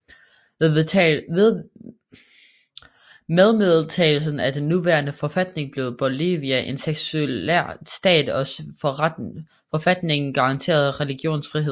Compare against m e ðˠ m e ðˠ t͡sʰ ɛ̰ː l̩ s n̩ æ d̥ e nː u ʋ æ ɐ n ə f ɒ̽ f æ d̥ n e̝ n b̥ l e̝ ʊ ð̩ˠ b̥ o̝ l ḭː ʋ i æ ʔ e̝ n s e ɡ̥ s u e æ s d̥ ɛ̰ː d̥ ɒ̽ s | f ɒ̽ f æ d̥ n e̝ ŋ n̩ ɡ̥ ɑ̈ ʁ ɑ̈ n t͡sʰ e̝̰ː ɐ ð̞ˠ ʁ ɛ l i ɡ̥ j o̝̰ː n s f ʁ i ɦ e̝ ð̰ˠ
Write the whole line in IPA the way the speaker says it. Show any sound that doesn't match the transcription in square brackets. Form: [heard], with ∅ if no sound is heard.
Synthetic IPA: m e ðˠ m e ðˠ t͡sʰ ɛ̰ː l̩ s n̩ æ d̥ e nː u ʋ æ ɐ n ə f ɒ̽ f æ d̥ n e̝ [ŋ] b̥ l e̝ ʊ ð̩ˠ b̥ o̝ l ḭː ʋ i æ ʔ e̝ n s e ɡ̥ s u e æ s d̥ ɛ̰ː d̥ ɒ̽ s | f ɒ̽ f æ d̥ n e̝ ŋ n̩ ɡ̥ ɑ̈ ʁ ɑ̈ n t͡sʰ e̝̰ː ɐ ð̞ˠ ʁ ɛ l i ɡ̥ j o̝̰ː n s f ʁ i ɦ e̝ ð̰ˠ